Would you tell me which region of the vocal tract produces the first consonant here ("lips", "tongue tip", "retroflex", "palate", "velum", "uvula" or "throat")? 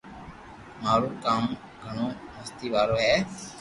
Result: lips